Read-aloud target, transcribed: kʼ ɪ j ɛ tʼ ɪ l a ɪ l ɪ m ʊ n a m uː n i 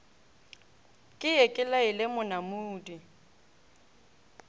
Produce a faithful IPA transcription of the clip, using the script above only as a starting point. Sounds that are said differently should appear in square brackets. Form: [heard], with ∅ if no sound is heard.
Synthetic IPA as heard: kʼ ɪ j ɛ [kʼ] ɪ l a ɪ l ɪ m ʊ n a m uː [d] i